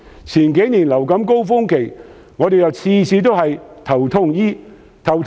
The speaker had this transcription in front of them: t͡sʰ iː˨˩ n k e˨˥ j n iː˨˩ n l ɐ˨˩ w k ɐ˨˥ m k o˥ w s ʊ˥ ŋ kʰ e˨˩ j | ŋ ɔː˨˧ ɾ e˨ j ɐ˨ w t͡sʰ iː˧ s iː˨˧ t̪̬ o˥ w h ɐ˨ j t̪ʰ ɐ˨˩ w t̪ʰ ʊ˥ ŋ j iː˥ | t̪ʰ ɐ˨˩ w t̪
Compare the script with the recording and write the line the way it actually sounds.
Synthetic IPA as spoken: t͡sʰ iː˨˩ n k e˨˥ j n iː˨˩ n l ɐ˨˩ w k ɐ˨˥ m k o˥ w f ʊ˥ ŋ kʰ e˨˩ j | ŋ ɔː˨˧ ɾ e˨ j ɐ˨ w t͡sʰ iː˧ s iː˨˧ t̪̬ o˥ w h ɐ˨ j t̪ʰ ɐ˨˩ w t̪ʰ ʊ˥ ŋ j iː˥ | t̪ʰ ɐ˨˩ w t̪

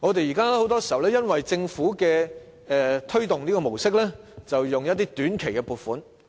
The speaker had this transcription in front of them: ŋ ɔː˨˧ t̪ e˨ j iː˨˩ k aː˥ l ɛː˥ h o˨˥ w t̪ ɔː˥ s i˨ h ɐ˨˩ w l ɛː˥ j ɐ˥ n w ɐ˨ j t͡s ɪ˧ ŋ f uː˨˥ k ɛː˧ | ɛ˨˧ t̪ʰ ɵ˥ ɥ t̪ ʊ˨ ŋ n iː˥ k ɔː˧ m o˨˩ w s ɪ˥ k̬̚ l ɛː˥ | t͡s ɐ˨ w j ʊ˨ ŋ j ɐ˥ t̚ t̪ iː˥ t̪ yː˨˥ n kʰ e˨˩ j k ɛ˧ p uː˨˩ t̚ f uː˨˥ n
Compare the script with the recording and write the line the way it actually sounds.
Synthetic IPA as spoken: ŋ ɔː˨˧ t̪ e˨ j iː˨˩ k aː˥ l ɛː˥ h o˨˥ w t̪ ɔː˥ s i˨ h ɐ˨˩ w l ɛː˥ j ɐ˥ n w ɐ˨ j t͡s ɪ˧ ŋ f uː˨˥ k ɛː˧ | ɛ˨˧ t̪ʰ ɵ˥ ɥ t̪ ʊ˨ ŋ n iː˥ k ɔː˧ m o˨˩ w s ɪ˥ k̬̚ l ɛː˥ | t͡s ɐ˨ w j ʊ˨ ŋ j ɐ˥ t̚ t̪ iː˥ t̪ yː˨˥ n kʰ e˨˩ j k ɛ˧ p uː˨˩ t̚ f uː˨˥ n

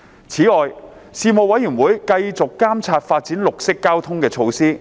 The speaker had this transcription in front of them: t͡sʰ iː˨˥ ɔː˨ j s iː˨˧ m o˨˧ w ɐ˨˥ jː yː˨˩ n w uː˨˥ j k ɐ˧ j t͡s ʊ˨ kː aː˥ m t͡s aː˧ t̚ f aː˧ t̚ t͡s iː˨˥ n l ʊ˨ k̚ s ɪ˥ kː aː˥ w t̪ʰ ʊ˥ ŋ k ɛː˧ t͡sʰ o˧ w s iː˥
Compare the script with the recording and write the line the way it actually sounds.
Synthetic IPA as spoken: t͡sʰ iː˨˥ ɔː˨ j s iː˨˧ m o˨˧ w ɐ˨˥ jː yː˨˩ n w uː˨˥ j k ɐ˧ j t͡s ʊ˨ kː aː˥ m t͡sʰ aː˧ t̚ f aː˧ t̚ t͡s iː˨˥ n l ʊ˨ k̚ s ɪ˥ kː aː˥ w t̪ʰ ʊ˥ ŋ k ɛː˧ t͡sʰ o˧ w s iː˥

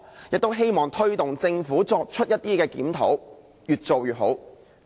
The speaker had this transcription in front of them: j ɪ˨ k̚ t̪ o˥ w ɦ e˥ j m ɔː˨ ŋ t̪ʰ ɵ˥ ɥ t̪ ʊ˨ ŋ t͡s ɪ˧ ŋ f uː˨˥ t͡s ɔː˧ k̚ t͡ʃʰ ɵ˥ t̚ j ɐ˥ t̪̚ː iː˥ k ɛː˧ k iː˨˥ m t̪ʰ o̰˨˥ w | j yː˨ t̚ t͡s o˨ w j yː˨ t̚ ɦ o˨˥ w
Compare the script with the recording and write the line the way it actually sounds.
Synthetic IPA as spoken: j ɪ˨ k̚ t̪ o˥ w ɦ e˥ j m ɔː˨ ŋ t̪ʰ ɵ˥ ɥ t̪ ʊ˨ ŋ t͡s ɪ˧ ŋ f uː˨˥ t͡s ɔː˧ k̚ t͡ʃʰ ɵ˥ t̚ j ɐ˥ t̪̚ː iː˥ k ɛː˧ k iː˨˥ m t̪ʰ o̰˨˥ w | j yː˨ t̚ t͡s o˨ w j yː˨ t̚ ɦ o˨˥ w

